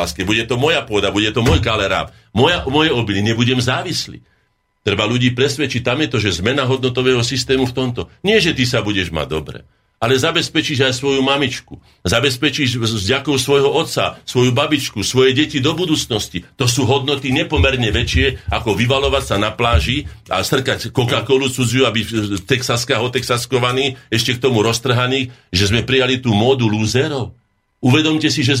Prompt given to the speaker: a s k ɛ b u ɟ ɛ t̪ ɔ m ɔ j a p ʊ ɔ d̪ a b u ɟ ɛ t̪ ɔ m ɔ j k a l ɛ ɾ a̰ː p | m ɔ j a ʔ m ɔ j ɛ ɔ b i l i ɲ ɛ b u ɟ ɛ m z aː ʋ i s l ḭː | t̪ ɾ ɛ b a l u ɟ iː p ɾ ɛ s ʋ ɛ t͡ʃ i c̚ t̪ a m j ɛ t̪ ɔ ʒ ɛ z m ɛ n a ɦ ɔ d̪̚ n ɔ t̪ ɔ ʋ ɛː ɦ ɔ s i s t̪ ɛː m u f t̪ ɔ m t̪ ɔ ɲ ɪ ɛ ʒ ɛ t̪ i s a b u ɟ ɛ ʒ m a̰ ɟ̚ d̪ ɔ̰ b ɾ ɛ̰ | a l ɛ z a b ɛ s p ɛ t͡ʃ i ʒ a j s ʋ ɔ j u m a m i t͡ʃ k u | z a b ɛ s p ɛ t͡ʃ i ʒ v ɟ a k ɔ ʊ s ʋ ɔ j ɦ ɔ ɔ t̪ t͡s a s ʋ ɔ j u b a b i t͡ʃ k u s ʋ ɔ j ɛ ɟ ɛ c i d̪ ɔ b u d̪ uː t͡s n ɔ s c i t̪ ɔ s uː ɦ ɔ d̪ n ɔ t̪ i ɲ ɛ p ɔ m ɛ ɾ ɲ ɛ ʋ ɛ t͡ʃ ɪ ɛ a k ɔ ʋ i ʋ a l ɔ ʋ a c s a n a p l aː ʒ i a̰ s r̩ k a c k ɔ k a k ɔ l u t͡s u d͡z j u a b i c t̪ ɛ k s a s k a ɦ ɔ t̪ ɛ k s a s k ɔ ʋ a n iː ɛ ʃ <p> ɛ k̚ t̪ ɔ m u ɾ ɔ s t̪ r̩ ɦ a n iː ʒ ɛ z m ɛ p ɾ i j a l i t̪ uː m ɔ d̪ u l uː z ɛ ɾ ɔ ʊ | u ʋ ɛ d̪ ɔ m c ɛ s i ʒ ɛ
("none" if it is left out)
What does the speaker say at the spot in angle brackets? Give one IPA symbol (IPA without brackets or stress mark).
c